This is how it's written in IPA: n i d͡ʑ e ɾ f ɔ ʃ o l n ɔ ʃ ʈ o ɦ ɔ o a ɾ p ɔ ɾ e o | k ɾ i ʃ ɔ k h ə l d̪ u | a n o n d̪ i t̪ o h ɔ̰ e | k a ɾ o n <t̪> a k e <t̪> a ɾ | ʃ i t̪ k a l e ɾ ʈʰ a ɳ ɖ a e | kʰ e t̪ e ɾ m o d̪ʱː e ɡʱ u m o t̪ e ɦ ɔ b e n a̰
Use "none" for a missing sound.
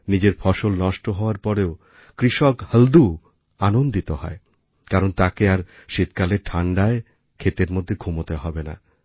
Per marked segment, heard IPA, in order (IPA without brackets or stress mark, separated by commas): t̪, none